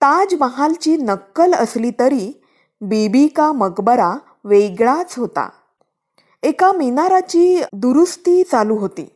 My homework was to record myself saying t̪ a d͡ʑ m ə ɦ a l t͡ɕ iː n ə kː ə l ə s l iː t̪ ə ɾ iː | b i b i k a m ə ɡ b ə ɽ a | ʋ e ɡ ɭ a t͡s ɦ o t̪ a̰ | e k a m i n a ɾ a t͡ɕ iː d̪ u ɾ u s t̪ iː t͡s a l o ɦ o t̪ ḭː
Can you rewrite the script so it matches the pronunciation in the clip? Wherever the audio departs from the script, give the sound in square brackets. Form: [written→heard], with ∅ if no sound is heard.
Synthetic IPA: t̪ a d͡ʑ m ə ɦ a l t͡ɕ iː n ə kː ə l ə s l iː t̪ ə ɾ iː | b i b i k a m ə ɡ b ə [ɽ→ɾ] a | ʋ e ɡ ɭ a t͡s ɦ o t̪ a̰ | e k a m i n a ɾ a t͡ɕ iː d̪ u ɾ u s t̪ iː t͡s a l [o→u] ɦ o t̪ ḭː